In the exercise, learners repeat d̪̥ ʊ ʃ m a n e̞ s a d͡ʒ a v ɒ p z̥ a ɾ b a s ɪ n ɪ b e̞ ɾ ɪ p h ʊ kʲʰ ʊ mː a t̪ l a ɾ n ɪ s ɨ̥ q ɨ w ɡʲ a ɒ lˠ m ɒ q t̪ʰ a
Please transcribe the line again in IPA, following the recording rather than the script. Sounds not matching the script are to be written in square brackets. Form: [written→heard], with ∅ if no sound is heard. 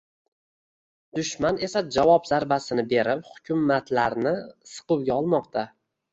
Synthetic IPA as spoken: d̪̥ ʊ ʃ m a n e̞ s a d͡ʒ a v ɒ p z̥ a ɾ b a s ɪ n ɪ b e̞ ɾ ɪ p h ʊ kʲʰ ʊ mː a t̪ l a ɾ n ɪ s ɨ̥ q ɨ w ɡʲ a ɒ lˠ m ɒ q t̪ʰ a